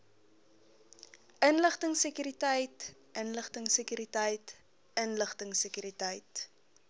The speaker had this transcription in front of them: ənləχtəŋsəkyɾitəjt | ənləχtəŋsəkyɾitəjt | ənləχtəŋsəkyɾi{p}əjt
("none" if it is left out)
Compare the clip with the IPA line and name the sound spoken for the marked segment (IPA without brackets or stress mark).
t